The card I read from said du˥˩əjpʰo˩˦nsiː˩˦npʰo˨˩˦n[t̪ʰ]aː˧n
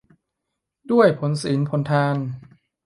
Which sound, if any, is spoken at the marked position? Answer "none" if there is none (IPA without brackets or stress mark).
t̪ʰ